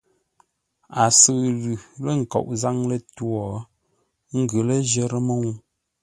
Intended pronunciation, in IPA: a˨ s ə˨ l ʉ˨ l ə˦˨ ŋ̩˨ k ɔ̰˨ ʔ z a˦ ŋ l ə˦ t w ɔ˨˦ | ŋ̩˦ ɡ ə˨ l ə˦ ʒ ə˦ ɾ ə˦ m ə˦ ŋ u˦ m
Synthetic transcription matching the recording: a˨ s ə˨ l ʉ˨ l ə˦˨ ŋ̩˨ k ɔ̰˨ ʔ z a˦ ŋ l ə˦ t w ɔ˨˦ | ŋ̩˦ ɡ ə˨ l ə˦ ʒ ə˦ ɾ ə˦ m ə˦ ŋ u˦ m